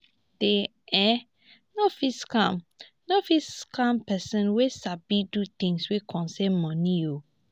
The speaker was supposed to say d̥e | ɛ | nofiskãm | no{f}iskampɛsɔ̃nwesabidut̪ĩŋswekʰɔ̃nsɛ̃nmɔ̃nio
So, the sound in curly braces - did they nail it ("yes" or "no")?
yes